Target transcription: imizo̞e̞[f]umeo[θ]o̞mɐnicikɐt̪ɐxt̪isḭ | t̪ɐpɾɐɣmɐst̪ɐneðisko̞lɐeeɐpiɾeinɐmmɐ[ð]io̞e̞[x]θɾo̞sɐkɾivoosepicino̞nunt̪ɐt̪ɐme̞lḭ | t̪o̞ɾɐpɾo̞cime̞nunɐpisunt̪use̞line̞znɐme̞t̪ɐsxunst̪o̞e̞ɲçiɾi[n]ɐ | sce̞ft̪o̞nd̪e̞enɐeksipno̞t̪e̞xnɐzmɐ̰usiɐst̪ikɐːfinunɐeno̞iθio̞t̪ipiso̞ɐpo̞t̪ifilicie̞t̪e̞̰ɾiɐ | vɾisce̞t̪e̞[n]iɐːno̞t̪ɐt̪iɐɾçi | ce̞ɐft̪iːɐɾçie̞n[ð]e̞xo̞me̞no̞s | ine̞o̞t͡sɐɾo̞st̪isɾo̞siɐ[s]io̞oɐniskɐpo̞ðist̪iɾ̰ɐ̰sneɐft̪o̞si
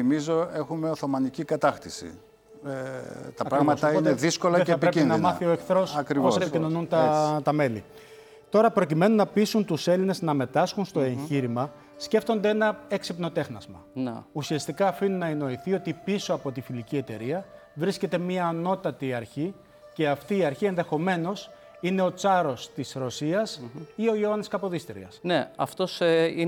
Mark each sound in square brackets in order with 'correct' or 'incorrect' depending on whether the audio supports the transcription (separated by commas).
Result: incorrect, correct, incorrect, incorrect, incorrect, incorrect, correct, correct